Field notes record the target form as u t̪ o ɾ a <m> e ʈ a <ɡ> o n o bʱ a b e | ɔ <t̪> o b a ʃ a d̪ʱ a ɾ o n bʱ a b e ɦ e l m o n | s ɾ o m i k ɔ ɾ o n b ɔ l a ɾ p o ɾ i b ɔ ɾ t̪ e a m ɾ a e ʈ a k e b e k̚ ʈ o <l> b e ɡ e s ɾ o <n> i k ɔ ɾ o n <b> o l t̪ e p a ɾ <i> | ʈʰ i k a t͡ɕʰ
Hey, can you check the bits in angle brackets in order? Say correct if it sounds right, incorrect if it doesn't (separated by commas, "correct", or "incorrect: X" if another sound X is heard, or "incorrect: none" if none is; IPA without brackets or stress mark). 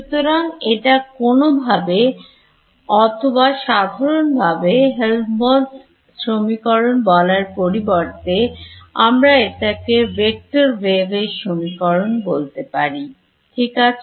incorrect: ŋ, incorrect: k, incorrect: t̪ʰ, incorrect: ɾ, incorrect: m, correct, correct